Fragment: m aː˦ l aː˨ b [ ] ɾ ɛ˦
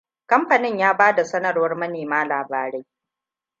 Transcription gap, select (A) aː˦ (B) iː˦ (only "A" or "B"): A